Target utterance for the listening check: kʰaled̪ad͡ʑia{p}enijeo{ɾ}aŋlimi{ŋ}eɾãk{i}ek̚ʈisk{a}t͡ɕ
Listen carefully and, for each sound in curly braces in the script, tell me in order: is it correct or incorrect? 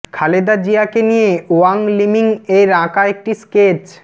incorrect: k, incorrect: none, correct, incorrect: a, incorrect: e

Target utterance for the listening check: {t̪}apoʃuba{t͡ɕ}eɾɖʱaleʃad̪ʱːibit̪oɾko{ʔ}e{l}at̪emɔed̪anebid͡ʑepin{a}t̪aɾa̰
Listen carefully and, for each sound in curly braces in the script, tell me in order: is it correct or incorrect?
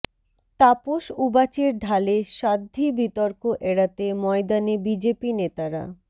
correct, correct, correct, incorrect: ɽ, incorrect: e

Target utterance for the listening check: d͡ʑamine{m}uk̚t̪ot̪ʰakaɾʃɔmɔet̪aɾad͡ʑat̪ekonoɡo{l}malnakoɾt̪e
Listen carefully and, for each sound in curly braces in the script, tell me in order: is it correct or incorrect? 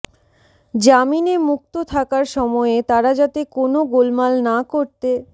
correct, correct

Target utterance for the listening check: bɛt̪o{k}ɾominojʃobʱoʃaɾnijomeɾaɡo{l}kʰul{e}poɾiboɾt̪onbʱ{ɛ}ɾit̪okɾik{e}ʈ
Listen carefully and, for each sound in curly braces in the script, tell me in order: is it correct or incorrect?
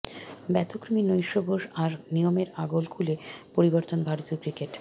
correct, correct, correct, incorrect: a, correct

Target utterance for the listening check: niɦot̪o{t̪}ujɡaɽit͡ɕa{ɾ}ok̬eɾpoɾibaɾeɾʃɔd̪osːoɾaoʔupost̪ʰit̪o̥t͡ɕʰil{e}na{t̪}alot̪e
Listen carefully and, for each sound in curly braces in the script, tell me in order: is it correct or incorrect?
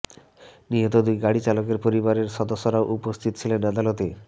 incorrect: d̪, incorrect: l, correct, incorrect: d̪

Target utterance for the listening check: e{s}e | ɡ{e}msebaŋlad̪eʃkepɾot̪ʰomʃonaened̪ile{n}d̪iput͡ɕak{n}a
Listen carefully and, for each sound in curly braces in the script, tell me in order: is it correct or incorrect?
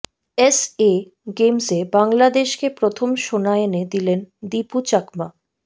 correct, correct, correct, incorrect: m

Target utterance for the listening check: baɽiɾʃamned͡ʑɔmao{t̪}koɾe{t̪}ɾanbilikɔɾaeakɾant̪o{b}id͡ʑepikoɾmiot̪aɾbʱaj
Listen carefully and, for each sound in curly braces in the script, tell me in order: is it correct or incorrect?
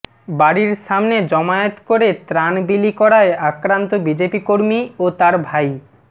correct, correct, correct

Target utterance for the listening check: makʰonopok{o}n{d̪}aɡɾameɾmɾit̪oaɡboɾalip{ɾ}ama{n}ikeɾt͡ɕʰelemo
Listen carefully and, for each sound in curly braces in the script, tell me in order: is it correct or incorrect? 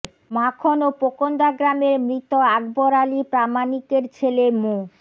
correct, correct, correct, correct

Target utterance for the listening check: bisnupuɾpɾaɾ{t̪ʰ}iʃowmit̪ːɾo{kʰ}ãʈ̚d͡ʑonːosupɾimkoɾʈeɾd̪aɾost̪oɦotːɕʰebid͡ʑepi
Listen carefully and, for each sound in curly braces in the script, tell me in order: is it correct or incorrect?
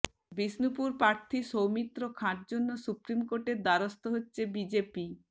correct, correct

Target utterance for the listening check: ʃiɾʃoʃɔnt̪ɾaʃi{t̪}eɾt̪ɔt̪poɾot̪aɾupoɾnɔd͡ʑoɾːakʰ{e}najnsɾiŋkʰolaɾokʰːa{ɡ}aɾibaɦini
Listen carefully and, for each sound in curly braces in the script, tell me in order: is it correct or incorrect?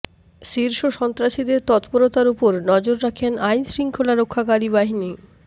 incorrect: d̪, correct, incorrect: k

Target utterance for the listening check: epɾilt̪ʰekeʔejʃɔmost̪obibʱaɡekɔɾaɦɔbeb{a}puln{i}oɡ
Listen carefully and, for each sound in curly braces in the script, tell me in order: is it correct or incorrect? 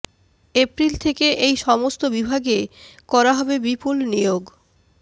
incorrect: i, correct

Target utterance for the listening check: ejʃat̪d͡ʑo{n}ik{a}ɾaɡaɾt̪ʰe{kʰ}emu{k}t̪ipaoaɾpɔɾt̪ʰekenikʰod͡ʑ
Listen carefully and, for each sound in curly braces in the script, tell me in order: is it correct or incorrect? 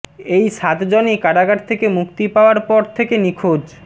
correct, correct, incorrect: k, correct

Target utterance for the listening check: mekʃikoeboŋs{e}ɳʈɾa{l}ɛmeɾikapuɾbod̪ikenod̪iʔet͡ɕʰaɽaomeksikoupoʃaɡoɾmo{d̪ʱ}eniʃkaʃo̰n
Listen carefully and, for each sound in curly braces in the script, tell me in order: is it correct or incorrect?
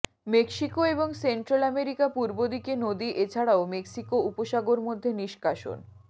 correct, correct, incorrect: d̪ʱː

